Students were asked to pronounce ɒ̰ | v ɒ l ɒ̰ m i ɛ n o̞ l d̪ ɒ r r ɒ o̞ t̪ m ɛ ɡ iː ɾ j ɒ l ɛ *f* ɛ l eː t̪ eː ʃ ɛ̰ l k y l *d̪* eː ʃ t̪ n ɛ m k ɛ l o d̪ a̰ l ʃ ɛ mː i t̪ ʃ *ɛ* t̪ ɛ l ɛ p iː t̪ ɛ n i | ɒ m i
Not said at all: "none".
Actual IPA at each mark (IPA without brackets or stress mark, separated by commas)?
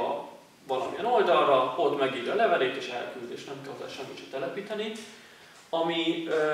v, d̪, ɛ